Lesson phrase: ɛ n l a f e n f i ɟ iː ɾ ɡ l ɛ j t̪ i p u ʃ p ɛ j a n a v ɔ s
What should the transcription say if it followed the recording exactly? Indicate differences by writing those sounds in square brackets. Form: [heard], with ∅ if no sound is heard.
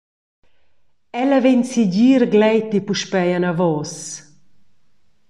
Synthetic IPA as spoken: ɛ [∅] l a [v] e n [s] i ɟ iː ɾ ɡ l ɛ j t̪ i p u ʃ p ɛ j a n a v ɔ s